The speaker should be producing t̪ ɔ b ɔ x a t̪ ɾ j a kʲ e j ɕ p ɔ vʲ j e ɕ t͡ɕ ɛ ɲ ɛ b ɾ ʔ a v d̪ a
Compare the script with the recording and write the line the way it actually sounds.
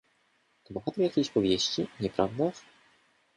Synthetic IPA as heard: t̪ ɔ b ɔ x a t̪ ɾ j a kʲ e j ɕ p ɔ vʲ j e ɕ t͡ɕ i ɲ ɛ p ɾ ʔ a v d̪ a